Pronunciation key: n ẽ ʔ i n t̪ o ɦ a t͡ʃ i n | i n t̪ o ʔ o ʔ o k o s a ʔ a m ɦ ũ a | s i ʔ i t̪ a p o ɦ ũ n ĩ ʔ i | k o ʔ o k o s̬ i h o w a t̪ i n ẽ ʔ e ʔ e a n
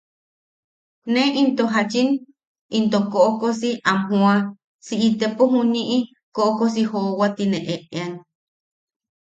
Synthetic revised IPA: n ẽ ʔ i n t̪ o ɦ a t͡ʃ i n | i n t̪ o k o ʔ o k o s i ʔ a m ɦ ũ a | s i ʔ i t̪ e p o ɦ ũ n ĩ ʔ i | k o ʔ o k o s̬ i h o w a t̪ i n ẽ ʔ e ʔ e a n